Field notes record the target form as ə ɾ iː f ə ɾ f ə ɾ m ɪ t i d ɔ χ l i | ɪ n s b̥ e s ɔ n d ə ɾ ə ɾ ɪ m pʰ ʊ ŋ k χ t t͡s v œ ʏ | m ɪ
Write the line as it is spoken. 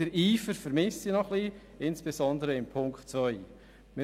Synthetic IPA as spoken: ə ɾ iː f ə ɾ f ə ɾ m ɪ s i n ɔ χ l i | ɪ n s b̥ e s ɔ n d ə ɾ ə ɪ m pʰ ʊ ŋ k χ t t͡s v œ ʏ | m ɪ